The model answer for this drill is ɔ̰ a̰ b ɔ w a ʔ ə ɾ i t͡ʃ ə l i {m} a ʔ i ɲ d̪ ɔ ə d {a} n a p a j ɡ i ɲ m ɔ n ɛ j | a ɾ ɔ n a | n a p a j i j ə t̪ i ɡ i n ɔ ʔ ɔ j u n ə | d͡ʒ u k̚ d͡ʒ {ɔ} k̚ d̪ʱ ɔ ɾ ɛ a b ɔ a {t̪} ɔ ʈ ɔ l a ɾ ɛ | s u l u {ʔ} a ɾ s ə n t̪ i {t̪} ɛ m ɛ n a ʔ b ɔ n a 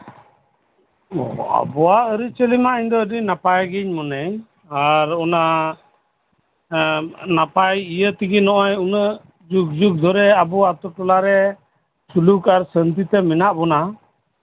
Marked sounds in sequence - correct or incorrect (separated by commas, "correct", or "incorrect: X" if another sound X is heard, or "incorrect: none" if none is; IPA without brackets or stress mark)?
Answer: correct, incorrect: i, incorrect: u, correct, incorrect: k, correct